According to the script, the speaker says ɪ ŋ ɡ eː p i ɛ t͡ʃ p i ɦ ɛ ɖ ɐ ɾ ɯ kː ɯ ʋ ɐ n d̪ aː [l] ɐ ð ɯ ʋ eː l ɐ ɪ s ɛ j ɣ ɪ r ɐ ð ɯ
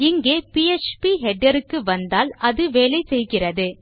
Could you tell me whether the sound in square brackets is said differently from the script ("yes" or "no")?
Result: no